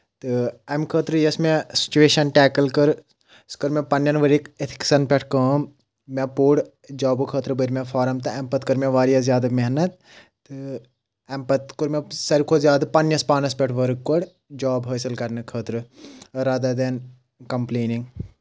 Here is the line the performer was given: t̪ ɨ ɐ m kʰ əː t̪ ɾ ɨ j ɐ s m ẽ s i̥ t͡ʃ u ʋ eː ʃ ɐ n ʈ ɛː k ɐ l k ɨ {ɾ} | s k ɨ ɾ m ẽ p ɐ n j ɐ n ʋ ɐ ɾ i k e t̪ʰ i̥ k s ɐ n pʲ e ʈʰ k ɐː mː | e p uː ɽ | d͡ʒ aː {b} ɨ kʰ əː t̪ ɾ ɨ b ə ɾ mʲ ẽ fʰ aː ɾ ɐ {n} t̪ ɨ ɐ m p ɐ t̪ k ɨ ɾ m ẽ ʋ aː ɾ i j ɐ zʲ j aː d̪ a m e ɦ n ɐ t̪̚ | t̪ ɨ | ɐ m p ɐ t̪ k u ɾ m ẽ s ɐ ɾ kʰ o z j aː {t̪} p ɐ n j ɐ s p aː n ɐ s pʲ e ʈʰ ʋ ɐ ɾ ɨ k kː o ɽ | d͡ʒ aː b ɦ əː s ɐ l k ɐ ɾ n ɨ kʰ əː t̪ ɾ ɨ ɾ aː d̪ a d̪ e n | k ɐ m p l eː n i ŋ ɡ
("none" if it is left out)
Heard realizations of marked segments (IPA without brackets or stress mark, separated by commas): ɾ, b, m, d̪